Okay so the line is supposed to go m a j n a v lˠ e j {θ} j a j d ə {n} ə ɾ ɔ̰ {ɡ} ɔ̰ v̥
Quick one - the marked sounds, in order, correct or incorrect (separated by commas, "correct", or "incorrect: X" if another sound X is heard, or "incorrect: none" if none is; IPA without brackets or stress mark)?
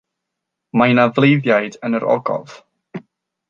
incorrect: ð, correct, correct